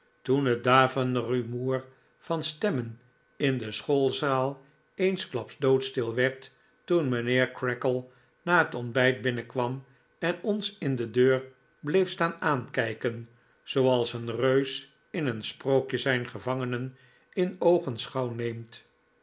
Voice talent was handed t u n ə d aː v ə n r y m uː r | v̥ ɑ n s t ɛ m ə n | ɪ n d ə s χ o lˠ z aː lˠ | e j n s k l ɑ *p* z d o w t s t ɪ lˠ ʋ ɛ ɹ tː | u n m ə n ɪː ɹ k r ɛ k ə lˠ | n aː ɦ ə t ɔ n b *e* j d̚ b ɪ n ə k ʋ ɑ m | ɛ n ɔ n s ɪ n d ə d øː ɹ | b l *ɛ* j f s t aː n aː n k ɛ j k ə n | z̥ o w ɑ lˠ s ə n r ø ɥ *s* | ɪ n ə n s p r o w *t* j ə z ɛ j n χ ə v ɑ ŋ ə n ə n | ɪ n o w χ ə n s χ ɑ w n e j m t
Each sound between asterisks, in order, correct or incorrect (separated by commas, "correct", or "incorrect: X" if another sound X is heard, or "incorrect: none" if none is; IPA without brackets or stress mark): correct, incorrect: ɛ, incorrect: e, correct, incorrect: k